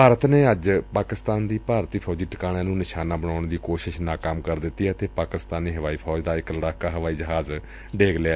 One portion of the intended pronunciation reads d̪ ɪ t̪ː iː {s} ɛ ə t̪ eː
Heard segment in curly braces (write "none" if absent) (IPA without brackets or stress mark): none